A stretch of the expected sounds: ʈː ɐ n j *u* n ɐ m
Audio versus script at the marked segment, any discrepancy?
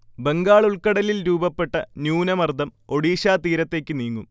yes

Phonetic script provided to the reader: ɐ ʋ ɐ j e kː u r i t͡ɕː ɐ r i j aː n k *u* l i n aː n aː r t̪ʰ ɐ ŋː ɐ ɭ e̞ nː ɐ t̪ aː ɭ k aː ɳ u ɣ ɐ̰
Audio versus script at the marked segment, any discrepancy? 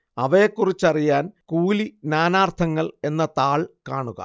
yes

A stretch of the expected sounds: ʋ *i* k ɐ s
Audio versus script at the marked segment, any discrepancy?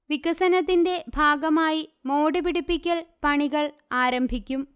no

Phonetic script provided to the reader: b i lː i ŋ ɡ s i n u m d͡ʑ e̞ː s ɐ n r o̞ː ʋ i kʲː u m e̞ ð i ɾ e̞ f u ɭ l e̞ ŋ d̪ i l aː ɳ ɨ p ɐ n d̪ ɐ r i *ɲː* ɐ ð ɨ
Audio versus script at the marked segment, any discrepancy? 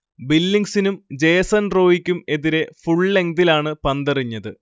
no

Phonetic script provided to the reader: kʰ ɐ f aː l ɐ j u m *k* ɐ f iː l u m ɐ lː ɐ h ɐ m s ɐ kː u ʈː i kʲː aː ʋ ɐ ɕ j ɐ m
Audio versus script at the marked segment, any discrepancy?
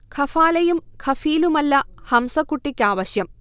yes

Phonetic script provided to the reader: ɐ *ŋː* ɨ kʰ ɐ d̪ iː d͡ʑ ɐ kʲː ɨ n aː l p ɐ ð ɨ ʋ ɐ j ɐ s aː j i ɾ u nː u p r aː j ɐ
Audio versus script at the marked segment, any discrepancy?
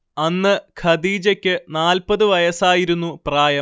yes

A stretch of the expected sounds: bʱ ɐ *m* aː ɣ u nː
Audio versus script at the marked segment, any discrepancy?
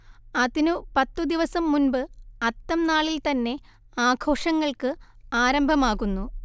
no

